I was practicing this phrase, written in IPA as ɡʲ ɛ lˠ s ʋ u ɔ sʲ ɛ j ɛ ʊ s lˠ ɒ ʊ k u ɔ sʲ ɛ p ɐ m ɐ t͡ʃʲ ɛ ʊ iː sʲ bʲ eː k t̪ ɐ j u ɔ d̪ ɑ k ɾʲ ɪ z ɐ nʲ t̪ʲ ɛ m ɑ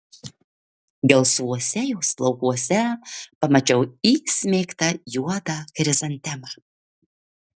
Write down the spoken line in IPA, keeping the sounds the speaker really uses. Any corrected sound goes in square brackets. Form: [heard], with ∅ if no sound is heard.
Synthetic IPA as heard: ɡʲ ɛ lˠ s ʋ u ɔ sʲ ɛ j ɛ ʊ s lˠ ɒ ʊ k u ɔ sʲ ɛ p ɐ m ɐ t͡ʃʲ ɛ ʊ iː sʲ [mʲ] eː k t̪ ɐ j u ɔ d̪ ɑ k ɾʲ ɪ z ɐ nʲ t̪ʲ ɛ m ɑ